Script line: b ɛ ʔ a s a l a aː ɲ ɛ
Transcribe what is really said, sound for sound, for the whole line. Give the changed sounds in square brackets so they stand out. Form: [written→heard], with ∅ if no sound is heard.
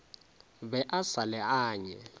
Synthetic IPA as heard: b ɛ ʔ a s a l [a→ɛ] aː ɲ ɛ